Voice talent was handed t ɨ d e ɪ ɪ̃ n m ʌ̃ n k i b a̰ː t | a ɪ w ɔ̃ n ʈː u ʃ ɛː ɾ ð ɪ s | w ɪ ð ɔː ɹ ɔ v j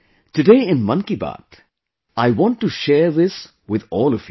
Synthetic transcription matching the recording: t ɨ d e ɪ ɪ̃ n m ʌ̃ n k i b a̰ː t | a ɪ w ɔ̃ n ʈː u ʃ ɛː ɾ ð ɪ s | w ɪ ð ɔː l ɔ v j